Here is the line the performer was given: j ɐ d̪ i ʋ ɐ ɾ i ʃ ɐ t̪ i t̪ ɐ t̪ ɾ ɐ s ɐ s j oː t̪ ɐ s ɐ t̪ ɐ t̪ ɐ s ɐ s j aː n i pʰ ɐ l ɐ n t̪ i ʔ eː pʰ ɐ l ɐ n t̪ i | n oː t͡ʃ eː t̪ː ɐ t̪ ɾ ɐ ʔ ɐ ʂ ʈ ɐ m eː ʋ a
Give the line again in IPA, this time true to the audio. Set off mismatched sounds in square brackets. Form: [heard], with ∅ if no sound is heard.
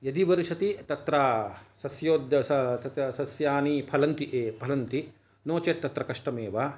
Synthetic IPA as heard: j ɐ d̪ i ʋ ɐ ɾ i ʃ ɐ t̪ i t̪ ɐ t̪ ɾ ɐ s ɐ s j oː [d̪] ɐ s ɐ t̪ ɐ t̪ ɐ s ɐ s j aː n i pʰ ɐ l ɐ n t̪ i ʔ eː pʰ ɐ l ɐ n t̪ i | n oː t͡ʃ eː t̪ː ɐ t̪ ɾ ɐ [k] ɐ ʂ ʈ ɐ m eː ʋ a